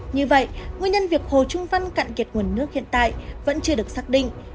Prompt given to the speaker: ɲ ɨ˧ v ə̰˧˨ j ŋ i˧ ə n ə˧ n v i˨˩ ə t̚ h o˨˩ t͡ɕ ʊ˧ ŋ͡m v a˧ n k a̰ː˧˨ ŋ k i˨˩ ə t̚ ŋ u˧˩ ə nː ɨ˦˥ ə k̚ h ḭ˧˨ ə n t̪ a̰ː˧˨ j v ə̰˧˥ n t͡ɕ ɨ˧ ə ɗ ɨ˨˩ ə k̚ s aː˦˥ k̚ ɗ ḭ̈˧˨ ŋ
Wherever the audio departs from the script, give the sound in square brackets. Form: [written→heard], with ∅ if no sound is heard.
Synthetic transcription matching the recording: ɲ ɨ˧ v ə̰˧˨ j ŋ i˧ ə [n→ɲ] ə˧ n v i˨˩ ə [t̚→k̚] h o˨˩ t͡ɕ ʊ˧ ŋ͡m v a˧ n k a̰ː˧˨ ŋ k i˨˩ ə t̚ ŋ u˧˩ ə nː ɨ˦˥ ə k̚ h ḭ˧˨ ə n t̪ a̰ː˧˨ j v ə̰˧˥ n t͡ɕ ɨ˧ ə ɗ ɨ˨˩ ə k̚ s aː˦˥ k̚ ɗ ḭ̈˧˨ ŋ

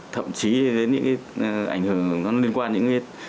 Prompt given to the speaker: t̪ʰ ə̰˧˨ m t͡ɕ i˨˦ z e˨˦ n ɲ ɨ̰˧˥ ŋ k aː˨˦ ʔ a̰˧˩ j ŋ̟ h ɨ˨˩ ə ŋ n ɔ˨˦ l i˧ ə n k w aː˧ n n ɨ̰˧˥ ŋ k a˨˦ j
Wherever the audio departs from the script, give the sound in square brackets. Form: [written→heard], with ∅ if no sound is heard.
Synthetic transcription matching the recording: t̪ʰ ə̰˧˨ m t͡ɕ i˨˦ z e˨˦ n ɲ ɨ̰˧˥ ŋ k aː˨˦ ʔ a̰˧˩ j ŋ̟ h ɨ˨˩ ə ŋ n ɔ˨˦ l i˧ ə n k w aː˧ n [n→ɲ] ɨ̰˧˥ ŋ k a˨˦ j

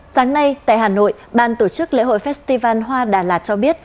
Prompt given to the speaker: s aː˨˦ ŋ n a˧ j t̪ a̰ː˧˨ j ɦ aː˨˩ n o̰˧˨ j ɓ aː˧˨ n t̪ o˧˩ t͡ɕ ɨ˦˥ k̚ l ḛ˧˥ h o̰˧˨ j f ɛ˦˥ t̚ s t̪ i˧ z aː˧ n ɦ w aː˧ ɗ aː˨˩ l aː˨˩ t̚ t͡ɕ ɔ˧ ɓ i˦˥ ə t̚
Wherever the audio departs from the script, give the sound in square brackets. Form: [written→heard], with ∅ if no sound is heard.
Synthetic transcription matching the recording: s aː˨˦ ŋ n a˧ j t̪ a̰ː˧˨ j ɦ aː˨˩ n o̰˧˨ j ɓ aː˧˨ n t̪ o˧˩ t͡ɕ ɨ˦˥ k̚ l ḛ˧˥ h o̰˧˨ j f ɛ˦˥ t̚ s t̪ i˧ [z→v] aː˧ n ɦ w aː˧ ɗ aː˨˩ l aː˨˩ t̚ t͡ɕ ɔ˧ ɓ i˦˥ ə t̚

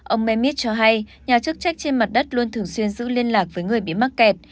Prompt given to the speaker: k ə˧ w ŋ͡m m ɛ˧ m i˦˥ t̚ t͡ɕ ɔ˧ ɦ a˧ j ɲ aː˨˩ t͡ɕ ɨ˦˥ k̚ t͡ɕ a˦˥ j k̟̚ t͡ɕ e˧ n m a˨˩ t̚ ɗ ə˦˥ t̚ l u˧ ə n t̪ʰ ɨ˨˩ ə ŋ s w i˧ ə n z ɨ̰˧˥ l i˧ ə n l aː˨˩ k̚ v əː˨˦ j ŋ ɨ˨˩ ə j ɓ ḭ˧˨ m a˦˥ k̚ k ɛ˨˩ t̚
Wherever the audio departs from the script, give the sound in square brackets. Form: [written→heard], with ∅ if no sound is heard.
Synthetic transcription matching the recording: [k→ʔ] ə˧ w ŋ͡m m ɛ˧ m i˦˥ t̚ t͡ɕ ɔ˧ ɦ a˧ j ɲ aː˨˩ t͡ɕ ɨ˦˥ k̚ t͡ɕ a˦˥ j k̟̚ t͡ɕ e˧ n m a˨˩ t̚ ɗ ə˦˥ t̚ l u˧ ə n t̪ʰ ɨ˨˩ ə ŋ s w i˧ ə n z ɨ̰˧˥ l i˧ ə n l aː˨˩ k̚ v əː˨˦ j ŋ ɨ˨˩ ə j ɓ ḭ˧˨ m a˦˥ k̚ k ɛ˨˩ t̚

